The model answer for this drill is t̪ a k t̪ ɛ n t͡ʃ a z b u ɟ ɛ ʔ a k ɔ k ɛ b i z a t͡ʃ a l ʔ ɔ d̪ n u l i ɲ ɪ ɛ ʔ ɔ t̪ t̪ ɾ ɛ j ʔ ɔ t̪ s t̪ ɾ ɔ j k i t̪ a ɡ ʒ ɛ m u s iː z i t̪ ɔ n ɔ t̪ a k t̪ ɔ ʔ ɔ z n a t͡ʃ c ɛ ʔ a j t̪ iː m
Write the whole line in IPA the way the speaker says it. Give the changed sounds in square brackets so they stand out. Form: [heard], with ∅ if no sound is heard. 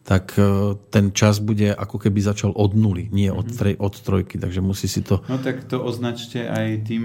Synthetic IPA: t̪ a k t̪ ɛ n t͡ʃ a z b u ɟ ɛ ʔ a k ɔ k ɛ b i z a t͡ʃ a l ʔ ɔ d̪ n u l i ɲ ɪ ɛ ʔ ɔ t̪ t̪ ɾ ɛ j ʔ ɔ t̪ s t̪ ɾ ɔ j k i t̪ a ɡ ʒ ɛ m u s iː [s] i t̪ ɔ n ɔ t̪ a k t̪ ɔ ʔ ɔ z n a t͡ʃ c ɛ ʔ a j t̪ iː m